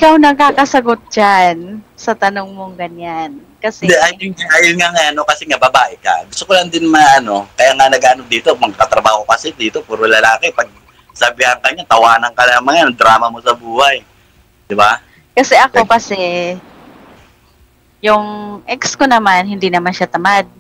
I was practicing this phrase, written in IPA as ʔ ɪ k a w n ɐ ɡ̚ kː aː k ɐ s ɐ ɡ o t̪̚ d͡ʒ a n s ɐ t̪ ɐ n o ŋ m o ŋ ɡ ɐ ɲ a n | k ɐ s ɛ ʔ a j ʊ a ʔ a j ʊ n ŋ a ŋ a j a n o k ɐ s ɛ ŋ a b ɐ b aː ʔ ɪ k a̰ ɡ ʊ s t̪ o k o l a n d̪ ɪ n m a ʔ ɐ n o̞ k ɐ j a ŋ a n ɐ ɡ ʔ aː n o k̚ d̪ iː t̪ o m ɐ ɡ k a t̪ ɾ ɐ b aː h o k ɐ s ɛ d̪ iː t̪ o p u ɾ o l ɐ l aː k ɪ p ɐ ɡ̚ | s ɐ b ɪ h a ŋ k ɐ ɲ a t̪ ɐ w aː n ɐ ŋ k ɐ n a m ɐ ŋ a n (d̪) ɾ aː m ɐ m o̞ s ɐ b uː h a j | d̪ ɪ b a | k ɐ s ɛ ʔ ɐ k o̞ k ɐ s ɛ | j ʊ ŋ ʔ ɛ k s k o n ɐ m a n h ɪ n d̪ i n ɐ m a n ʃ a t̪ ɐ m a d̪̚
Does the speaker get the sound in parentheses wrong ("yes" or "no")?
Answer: no